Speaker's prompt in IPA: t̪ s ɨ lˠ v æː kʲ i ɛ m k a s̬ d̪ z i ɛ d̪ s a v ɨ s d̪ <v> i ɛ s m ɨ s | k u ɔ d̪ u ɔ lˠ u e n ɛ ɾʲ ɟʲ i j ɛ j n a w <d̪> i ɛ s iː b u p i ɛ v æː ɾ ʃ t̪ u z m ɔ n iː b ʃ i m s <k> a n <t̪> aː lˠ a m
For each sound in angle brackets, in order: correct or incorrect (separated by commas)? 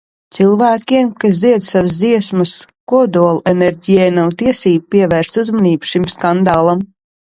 incorrect, incorrect, correct, incorrect